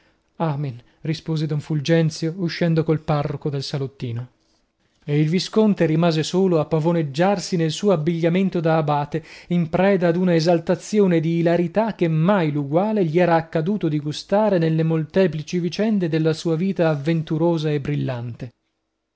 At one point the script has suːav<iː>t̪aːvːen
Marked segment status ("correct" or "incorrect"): correct